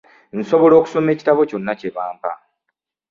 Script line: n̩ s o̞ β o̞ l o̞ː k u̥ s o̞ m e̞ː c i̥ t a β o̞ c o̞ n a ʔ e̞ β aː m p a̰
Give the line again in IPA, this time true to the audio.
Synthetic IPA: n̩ s o̞ β o̞ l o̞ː k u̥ s o̞ m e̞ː c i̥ t a β o̞ c o̞ nː a c e̞ β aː m p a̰